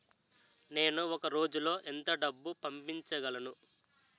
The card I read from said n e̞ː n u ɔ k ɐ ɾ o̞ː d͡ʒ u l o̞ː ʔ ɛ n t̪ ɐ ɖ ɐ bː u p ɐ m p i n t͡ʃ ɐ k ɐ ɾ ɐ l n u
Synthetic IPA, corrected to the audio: n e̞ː n u ɔ k ɐ ɾ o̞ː d͡ʒ u l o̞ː ʔ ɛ n t̪ ɐ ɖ ɐ bː u p ɐ m p i ɲ t͡ʃ ɐ ɡ ɐ l ɐ n u